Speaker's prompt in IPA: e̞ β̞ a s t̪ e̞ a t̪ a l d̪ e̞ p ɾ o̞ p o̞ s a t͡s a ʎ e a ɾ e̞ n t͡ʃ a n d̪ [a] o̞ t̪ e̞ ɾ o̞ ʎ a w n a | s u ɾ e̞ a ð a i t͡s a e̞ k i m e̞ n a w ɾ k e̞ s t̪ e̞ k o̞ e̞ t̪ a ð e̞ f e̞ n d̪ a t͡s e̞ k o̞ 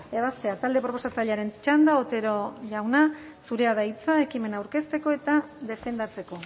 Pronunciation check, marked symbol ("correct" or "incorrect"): correct